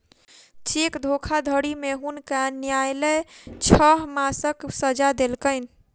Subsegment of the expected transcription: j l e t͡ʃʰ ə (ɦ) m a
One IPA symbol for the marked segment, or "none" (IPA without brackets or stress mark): ɦ